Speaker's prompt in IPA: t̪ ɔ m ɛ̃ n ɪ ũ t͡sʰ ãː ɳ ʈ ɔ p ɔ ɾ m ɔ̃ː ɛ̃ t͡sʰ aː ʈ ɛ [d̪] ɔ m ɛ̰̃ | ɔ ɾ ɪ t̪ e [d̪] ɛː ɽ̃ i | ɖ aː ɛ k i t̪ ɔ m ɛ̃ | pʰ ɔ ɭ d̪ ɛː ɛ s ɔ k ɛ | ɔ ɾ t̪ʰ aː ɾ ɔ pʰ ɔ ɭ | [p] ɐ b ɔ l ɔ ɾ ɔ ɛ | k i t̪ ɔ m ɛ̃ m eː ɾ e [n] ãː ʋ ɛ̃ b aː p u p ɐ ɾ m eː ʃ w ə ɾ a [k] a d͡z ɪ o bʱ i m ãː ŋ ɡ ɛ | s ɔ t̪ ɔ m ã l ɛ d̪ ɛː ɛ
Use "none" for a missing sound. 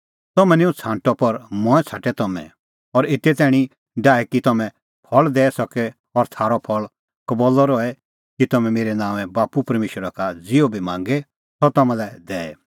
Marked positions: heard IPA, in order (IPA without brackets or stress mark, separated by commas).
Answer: t̪, t̪, k, n, k